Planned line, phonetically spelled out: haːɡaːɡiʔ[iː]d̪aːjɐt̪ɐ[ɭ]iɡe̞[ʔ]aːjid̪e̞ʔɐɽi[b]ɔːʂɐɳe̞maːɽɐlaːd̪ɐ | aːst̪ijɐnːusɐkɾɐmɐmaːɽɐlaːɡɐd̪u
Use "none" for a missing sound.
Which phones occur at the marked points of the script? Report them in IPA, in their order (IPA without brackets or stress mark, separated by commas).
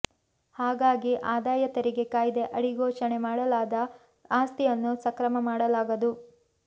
aː, ɾ, k, ɡ